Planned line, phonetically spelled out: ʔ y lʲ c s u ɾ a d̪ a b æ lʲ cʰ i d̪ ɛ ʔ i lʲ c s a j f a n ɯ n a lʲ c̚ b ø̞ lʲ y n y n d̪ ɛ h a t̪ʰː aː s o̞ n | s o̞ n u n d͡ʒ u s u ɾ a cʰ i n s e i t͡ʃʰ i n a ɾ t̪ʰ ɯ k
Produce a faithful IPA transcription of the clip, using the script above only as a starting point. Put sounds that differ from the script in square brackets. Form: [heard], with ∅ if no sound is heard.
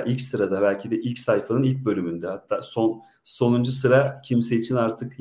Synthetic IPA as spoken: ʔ [i] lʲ c s [ɯ] ɾ a d̪ a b æ lʲ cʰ i d̪ ɛ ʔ i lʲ c s a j f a n ɯ n [i] lʲ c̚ b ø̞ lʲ y [m] y n d̪ ɛ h a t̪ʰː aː s o̞ n | s o̞ n u n d͡ʒ u s [ɯ] ɾ a cʰ i [m] s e i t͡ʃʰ i n a ɾ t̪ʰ ɯ k